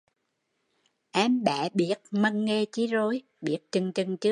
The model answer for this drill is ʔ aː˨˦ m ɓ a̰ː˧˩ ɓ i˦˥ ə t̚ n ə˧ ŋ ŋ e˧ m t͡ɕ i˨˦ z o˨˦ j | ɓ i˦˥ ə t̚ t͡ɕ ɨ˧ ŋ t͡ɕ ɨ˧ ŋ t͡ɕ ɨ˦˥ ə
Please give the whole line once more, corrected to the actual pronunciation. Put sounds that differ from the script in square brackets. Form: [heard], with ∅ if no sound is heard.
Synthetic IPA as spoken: ʔ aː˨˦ m ɓ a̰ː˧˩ ɓ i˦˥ ə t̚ [m] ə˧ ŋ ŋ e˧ [∅] t͡ɕ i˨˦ z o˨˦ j | ɓ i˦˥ ə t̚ t͡ɕ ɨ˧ ŋ t͡ɕ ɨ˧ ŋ t͡ɕ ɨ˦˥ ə